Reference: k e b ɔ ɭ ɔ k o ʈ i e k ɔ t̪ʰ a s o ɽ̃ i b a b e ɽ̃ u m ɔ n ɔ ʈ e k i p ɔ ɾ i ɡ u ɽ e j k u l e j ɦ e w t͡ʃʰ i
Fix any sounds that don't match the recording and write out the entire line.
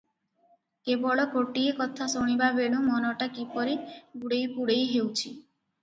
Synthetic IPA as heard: k e b ɔ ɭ ɔ k o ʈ i e k ɔ t̪ʰ a s o ɽ̃ i b a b e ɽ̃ u m ɔ n ɔ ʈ a k i p ɔ ɾ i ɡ u ɽ e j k u ɽ e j ɦ e w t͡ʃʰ i